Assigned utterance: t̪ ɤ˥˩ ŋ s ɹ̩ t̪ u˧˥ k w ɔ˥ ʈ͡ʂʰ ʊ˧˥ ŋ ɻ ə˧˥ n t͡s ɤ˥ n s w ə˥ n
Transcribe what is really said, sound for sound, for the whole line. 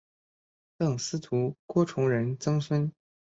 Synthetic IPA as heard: t̪ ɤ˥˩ ŋ s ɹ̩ t̪ʰ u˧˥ k w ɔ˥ ʈ͡ʂʰ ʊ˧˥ ŋ ɻ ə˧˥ n t͡s ɤ˥ ŋ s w ə˥ n